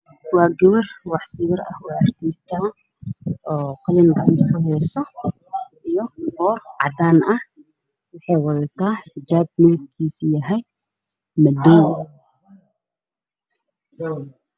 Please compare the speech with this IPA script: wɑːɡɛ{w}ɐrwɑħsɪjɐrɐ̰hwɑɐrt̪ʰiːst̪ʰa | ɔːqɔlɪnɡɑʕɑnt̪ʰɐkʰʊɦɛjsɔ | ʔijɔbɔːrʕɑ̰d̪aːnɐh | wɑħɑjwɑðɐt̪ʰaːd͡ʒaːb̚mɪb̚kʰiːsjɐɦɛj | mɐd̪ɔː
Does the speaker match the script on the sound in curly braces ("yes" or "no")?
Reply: yes